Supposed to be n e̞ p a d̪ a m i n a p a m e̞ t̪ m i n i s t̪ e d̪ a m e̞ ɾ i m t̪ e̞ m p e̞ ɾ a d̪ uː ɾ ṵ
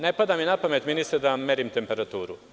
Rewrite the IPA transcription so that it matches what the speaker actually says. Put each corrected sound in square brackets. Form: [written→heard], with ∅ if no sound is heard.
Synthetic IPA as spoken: n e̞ p a d̪ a m i n a p a m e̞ t̪ m i n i s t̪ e d̪ a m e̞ ɾ i m t̪ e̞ m p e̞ ɾ a [d̪→t̪] uː ɾ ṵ